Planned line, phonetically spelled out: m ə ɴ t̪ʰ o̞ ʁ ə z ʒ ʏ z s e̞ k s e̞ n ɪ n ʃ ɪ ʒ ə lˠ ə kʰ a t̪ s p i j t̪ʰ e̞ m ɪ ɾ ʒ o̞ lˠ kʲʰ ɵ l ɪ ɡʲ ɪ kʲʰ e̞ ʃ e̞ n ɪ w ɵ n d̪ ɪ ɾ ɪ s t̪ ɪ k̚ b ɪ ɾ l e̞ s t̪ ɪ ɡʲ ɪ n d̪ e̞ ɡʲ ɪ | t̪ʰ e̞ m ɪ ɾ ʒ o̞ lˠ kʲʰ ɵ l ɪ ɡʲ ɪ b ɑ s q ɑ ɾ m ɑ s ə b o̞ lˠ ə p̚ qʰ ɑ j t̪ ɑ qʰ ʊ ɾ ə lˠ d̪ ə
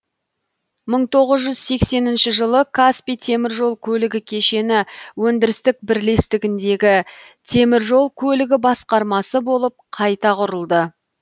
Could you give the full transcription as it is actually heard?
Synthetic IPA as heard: m ə ɴ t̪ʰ o̞ ʁ ə z ʒ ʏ z s e̞ k s e̞ n ɪ n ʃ ɪ ʒ ə lˠ ə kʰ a s p i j t̪ʰ e̞ m ɪ ɾ ʒ o̞ lˠ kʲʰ ɵ l ɪ ɡʲ ɪ kʲʰ e̞ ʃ e̞ n ɪ w ɵ n d̪ ɪ ɾ ɪ s t̪ ɪ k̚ b ɪ ɾ l e̞ s t̪ ɪ ɡʲ ɪ n d̪ e̞ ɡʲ ɪ | t̪ʰ e̞ m ɪ ɾ ʒ o̞ lˠ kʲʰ ɵ l ɪ ɡʲ ɪ b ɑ s q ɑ ɾ m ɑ s ə b o̞ lˠ ə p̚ qʰ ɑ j t̪ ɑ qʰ ʊ ɾ ə lˠ d̪ ə